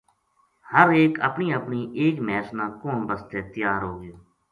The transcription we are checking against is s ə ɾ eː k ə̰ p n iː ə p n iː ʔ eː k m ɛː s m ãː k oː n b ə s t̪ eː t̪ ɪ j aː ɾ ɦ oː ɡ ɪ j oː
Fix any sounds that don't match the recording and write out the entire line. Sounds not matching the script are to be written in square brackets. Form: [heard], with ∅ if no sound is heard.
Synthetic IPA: [h] ə ɾ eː k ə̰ p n iː ə p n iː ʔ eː k m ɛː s [n] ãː k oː n b ə s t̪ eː t̪ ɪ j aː ɾ ɦ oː ɡ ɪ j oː